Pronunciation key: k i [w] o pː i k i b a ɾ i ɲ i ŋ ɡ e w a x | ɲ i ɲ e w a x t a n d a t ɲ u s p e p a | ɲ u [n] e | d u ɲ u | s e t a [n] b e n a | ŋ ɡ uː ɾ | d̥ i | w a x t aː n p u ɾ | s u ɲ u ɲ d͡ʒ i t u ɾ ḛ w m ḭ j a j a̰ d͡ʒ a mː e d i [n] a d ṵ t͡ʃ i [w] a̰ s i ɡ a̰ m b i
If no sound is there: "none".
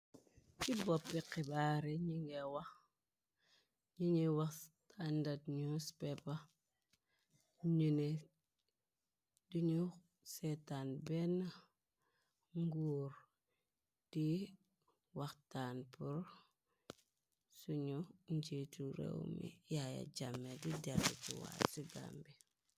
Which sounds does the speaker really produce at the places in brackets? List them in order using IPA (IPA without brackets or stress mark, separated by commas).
b, n, n, d, w